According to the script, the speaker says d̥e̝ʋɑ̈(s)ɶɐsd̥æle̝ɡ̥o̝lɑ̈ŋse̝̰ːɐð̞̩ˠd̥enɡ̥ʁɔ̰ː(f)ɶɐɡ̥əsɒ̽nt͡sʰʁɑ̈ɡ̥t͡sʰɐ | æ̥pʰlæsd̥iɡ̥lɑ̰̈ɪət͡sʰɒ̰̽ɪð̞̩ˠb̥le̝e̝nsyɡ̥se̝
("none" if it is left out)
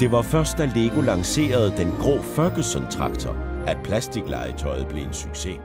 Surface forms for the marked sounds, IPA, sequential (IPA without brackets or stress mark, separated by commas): f, f